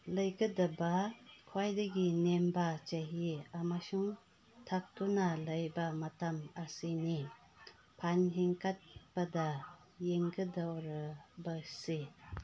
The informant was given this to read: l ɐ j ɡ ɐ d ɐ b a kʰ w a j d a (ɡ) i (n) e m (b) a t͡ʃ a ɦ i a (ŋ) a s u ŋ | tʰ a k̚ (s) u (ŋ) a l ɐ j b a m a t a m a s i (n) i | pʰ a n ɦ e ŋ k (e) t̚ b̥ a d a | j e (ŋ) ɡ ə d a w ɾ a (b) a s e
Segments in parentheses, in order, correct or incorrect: correct, correct, correct, incorrect, incorrect, incorrect, correct, incorrect, correct, correct

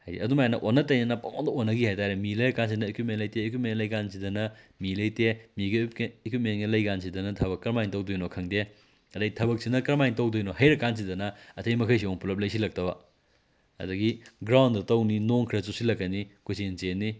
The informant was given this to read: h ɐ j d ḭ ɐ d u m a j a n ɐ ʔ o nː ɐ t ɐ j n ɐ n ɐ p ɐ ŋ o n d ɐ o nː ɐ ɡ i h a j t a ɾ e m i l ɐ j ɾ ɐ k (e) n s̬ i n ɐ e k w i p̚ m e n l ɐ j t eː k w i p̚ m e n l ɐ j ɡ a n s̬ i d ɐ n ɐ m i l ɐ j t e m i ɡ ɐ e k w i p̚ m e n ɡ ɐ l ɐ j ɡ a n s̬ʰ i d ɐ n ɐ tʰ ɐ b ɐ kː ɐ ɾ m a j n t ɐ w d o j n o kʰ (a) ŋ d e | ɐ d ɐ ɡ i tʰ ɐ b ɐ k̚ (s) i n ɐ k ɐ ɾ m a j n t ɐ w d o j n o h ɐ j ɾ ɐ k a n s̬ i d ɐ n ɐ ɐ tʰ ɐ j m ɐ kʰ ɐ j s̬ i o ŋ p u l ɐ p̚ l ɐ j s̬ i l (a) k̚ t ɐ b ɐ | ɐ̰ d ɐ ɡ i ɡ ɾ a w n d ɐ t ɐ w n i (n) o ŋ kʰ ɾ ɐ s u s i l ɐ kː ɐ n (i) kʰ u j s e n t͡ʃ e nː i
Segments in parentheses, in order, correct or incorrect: incorrect, incorrect, correct, incorrect, correct, correct

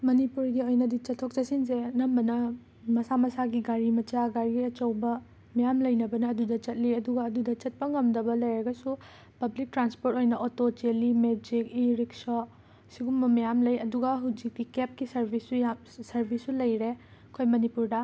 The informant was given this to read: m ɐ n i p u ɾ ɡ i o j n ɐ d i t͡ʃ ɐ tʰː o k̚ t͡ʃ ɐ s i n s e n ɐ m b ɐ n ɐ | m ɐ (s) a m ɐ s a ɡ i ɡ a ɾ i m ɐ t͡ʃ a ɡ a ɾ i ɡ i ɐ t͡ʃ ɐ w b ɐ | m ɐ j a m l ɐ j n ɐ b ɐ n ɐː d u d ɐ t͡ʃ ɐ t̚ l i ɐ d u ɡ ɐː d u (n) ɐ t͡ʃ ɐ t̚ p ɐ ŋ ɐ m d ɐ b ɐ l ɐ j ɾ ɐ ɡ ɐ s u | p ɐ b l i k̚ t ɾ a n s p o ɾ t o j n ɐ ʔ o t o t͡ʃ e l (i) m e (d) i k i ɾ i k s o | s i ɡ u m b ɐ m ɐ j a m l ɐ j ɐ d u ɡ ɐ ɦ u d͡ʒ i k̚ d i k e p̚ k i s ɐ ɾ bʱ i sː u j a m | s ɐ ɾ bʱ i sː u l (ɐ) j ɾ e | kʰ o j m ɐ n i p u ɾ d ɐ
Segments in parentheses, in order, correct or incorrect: correct, incorrect, correct, incorrect, correct

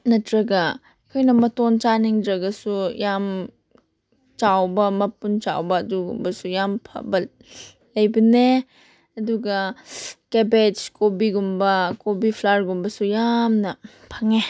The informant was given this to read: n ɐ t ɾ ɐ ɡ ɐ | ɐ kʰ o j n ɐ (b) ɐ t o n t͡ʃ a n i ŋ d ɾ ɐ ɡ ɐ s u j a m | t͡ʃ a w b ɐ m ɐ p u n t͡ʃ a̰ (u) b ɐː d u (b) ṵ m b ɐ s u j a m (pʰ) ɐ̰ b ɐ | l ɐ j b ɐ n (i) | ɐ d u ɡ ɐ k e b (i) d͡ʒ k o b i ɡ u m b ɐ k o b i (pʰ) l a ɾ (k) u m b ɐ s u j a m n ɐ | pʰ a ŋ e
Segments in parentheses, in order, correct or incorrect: incorrect, incorrect, incorrect, correct, incorrect, incorrect, correct, incorrect

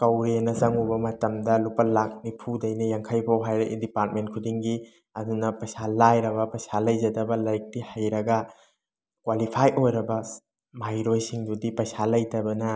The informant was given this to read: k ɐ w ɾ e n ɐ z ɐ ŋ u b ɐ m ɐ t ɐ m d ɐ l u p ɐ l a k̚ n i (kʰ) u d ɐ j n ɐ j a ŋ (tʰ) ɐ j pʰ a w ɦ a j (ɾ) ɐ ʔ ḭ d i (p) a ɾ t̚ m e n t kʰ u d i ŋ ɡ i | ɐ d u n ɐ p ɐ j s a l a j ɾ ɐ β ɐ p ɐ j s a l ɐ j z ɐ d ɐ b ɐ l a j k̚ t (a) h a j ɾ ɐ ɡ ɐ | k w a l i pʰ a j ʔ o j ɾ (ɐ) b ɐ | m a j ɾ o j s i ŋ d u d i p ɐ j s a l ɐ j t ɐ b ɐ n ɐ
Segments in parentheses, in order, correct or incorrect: incorrect, incorrect, correct, correct, incorrect, correct

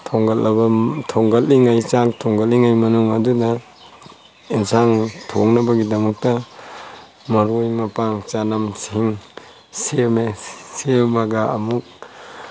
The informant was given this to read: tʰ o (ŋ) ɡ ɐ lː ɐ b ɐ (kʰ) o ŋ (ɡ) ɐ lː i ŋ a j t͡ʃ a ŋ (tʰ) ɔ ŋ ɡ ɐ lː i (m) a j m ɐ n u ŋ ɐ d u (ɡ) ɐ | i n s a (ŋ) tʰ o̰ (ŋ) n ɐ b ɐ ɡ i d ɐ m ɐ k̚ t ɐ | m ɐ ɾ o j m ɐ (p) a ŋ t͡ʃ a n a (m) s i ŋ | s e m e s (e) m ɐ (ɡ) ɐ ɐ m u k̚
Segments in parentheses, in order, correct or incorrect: correct, incorrect, correct, correct, incorrect, incorrect, correct, correct, correct, correct, correct, correct

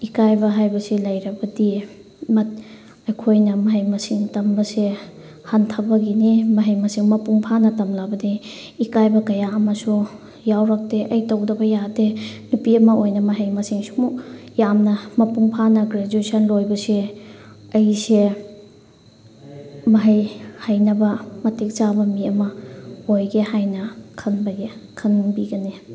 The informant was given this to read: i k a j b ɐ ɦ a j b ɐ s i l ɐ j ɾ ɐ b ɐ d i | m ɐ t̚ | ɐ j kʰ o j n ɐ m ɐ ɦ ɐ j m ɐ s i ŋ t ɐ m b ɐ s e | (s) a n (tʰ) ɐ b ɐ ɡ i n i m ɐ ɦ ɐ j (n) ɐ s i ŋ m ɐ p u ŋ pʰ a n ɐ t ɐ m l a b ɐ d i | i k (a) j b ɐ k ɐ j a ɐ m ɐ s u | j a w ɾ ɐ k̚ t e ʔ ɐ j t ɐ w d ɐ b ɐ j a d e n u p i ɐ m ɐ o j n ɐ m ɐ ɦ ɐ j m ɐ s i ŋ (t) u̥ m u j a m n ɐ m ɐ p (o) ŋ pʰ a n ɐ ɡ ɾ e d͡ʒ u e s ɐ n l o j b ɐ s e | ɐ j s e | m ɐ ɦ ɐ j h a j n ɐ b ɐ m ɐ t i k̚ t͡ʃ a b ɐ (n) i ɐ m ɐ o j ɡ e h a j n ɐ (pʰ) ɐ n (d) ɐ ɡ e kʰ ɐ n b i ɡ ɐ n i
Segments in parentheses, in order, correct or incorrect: incorrect, correct, incorrect, correct, incorrect, incorrect, incorrect, incorrect, incorrect

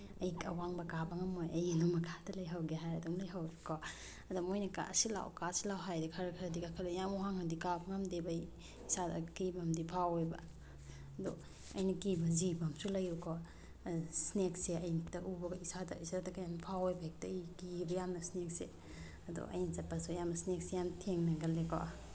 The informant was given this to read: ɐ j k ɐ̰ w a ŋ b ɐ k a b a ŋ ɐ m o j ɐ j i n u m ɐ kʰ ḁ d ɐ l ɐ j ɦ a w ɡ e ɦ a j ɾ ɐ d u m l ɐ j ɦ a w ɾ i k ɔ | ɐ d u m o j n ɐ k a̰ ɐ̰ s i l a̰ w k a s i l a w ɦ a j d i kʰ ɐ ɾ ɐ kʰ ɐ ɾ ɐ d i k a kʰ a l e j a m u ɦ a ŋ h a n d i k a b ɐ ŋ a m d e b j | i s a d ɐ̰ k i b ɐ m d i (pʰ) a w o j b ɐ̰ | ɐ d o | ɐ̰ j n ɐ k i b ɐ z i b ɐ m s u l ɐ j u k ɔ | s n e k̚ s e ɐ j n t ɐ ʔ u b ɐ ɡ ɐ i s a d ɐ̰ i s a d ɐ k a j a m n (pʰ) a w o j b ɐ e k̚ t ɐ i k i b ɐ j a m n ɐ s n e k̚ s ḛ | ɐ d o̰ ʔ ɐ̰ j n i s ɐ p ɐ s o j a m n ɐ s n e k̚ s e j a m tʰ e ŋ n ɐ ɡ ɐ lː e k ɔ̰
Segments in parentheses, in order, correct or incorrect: correct, correct

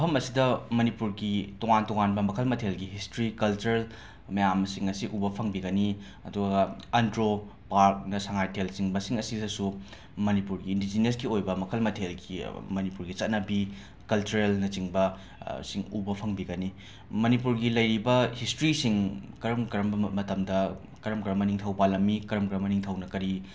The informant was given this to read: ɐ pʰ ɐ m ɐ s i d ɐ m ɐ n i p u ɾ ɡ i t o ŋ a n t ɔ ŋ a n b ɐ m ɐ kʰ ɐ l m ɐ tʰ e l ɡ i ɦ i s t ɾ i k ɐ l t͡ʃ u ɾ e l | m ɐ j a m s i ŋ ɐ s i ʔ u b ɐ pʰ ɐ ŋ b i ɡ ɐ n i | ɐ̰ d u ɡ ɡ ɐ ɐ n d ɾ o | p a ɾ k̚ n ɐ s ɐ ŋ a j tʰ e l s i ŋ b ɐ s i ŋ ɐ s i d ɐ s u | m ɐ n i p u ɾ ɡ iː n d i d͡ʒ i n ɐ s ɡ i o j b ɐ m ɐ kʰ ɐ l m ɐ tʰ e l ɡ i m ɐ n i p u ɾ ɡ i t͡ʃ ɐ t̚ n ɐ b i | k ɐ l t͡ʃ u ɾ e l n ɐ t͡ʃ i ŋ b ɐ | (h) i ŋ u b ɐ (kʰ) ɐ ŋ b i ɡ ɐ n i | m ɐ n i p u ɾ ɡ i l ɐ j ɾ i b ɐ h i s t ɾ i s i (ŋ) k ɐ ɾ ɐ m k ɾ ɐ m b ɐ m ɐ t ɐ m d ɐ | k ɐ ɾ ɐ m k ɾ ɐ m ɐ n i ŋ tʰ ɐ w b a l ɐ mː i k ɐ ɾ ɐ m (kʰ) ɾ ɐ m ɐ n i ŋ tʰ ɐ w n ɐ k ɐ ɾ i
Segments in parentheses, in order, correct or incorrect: incorrect, incorrect, correct, incorrect

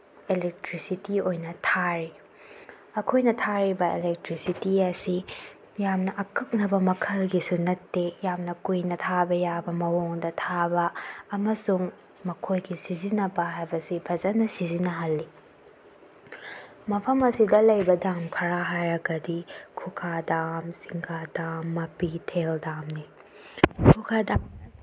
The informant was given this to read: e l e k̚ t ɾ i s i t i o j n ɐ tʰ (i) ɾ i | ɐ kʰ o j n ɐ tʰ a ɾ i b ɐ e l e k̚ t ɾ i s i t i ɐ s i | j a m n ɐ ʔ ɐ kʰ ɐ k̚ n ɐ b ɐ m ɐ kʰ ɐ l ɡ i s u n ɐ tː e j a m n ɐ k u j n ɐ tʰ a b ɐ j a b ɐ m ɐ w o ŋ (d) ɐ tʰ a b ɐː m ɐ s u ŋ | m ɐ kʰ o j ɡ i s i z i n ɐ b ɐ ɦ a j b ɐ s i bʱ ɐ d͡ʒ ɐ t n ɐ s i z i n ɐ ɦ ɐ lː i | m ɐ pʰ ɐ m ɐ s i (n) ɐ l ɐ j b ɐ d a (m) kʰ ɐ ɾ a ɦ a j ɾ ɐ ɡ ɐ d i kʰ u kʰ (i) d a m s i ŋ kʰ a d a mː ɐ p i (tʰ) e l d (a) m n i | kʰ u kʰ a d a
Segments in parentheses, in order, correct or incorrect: incorrect, correct, incorrect, correct, incorrect, correct, correct

